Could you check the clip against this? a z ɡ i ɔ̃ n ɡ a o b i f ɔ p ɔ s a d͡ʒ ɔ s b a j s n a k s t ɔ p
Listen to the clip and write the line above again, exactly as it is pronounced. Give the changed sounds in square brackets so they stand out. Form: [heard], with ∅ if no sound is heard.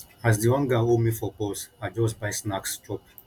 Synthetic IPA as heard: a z [d] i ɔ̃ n ɡ a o [m] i f ɔ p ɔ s a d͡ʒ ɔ s b a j s n a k s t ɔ p